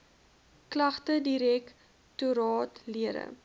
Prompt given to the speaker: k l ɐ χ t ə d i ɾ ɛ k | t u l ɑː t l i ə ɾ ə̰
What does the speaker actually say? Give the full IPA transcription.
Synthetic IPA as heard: k l ɐ χ t ə d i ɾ ɛ k | t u ɾ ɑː t l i ə ɾ ə̰